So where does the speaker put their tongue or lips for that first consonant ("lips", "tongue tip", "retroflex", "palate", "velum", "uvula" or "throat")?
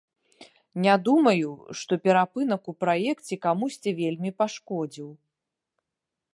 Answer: tongue tip